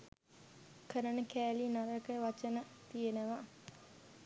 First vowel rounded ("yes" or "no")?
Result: no